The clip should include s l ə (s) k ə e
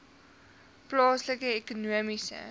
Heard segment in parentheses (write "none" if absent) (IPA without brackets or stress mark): none